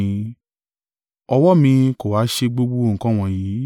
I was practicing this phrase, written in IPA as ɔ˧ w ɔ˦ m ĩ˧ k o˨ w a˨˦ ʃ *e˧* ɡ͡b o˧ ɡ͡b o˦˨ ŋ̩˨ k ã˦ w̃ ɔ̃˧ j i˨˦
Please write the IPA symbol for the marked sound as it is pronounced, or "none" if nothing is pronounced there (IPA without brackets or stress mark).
e˧